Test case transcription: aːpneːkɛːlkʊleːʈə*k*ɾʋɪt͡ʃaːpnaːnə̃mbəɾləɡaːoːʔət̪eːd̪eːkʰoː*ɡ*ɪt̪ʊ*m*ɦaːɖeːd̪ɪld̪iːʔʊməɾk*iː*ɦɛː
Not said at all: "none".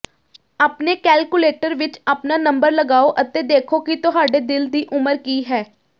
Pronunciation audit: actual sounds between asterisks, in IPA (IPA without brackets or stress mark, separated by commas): none, k, none, iː